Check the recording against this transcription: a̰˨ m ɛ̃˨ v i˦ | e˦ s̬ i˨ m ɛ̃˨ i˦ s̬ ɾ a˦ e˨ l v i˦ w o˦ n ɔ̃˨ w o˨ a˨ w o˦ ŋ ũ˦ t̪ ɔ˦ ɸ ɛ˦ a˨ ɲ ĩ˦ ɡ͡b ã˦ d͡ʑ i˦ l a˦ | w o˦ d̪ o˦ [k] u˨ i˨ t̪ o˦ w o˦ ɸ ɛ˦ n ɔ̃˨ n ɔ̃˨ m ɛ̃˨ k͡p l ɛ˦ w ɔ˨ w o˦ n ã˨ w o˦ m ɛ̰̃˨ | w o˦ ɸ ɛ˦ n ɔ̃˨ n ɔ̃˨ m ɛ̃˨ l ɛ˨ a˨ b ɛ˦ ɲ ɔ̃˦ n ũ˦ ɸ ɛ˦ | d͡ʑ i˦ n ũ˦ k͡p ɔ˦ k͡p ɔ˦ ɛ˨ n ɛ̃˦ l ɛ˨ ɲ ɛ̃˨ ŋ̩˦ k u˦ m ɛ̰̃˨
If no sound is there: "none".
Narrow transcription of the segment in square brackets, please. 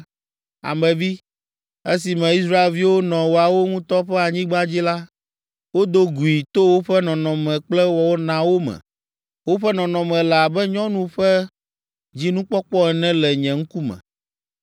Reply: ɡ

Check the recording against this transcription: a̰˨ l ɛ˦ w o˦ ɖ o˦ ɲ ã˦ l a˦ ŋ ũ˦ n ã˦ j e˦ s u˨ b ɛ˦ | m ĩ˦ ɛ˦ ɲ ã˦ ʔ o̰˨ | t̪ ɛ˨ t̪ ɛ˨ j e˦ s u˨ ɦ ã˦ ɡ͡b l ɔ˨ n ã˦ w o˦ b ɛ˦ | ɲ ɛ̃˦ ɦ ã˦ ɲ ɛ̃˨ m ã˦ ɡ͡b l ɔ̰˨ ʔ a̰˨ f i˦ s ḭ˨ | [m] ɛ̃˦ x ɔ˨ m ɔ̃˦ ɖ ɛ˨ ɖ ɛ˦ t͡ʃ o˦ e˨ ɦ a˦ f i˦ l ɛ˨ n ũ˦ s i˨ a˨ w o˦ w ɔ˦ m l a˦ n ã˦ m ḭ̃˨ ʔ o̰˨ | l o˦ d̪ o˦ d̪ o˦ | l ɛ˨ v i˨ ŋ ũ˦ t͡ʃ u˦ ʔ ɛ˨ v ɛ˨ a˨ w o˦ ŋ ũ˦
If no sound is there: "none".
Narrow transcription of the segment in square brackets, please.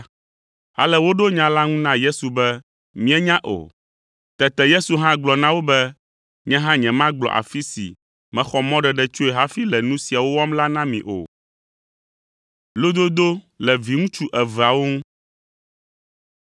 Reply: m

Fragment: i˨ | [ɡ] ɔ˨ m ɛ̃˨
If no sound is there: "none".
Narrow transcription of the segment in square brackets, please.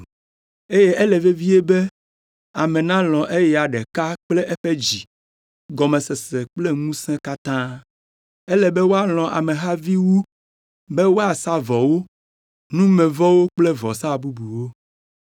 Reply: ɡ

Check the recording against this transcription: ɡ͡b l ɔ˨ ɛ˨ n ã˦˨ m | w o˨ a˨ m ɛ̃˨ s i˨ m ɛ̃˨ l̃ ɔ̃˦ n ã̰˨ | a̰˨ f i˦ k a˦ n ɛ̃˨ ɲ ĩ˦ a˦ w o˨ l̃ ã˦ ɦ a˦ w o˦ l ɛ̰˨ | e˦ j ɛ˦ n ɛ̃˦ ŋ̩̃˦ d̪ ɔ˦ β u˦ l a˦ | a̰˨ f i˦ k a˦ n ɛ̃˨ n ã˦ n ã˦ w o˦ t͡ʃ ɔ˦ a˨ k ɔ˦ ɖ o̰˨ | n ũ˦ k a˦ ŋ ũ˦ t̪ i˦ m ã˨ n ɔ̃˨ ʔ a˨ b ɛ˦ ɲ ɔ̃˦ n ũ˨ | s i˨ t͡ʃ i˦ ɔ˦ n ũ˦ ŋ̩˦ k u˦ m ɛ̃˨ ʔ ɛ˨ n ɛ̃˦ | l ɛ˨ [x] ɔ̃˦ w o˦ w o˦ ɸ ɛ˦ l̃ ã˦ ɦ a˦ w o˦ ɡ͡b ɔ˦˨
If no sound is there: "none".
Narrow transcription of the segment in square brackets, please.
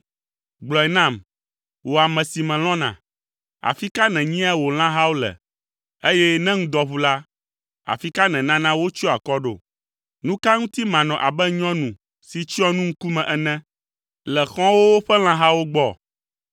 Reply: x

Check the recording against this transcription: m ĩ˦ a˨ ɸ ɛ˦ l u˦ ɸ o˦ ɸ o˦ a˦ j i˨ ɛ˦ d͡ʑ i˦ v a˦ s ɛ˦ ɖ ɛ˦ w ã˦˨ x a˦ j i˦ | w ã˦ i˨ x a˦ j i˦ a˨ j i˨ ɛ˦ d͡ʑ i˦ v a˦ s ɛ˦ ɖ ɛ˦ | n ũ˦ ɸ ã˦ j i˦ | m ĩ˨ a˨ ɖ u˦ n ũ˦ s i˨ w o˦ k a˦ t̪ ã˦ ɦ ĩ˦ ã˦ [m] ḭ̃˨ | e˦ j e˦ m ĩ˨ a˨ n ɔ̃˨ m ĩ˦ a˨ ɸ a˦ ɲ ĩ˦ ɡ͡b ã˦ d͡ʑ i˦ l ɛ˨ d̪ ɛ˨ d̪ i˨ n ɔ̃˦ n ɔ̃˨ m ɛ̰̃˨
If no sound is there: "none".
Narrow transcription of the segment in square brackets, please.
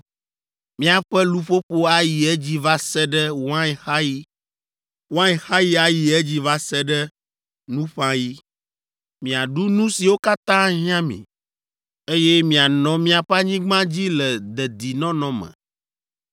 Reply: m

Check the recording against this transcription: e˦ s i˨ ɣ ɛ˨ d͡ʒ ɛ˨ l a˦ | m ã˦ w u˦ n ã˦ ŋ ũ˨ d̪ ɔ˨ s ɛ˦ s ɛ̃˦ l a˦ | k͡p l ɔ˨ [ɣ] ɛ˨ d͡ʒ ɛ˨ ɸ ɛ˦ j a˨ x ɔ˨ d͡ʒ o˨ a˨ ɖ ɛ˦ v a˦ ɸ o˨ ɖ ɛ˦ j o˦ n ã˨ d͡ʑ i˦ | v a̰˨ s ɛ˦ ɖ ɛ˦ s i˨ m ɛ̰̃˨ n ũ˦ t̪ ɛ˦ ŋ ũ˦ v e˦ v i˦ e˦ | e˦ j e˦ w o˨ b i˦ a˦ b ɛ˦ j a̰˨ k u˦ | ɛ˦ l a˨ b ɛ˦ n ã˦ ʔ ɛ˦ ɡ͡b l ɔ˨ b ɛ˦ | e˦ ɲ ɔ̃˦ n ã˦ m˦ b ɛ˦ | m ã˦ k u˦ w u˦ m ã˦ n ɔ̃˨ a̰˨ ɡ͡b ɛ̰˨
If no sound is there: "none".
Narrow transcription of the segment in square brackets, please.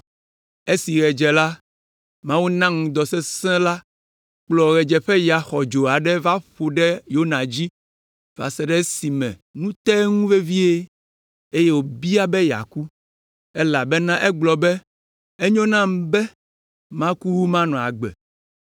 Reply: ɣ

